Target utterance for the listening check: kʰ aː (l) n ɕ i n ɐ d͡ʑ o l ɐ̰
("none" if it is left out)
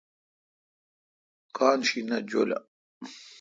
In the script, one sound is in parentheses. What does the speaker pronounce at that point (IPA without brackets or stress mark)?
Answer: none